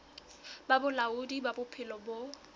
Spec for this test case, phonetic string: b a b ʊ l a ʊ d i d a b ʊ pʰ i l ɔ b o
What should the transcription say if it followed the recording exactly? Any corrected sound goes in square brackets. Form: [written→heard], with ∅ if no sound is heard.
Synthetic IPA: b a b ʊ l a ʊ d i [d→b] a b ʊ pʰ [i→ɪ] l ɔ b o